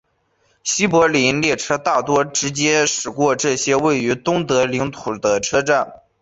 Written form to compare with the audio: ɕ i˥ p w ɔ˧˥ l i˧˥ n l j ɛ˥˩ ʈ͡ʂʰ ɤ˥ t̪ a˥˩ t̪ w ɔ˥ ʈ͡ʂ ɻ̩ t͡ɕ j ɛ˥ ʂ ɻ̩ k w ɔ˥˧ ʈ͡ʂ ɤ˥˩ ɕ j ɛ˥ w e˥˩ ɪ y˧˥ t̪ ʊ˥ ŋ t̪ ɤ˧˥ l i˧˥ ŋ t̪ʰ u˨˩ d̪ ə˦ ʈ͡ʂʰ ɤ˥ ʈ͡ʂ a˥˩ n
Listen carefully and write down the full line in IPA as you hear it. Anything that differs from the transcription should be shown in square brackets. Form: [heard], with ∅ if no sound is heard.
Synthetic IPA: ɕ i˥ p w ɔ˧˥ l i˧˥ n l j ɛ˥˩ ʈ͡ʂʰ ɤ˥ t̪ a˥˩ t̪ w ɔ˥ ʈ͡ʂ ɻ̩ t͡ɕ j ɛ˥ ʂ ɻ̩ k w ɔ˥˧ ʈ͡ʂ ɤ˥˩ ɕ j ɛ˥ w e˥˩ ɪ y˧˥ t̪ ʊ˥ ŋ t̪ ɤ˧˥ l i˧˥ ŋ t̪ʰ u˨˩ d̪ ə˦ ʈ͡ʂʰ ɤ˥ ʈ͡ʂ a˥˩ n